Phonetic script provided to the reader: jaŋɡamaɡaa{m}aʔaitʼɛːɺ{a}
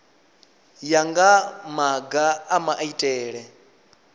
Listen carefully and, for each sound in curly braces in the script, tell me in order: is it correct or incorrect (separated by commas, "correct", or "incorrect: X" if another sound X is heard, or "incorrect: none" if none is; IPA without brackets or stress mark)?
correct, incorrect: ɛ